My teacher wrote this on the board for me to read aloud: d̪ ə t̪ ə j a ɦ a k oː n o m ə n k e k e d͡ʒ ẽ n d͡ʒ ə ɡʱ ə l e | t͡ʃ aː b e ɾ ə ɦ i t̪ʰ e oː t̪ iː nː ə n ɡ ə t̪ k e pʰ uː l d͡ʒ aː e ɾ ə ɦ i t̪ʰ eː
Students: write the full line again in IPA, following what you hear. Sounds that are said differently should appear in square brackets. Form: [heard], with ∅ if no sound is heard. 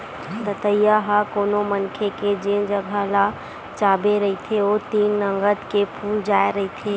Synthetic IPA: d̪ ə t̪ ə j a ɦ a k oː n o m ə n [kʰ] e k e d͡ʒ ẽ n d͡ʒ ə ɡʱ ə l [a] | t͡ʃ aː b e ɾ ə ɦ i t̪ʰ e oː t̪ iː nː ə [ŋ] ɡ ə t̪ k e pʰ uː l d͡ʒ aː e ɾ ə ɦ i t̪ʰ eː